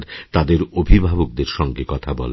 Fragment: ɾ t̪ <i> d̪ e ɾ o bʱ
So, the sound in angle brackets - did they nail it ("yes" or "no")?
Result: no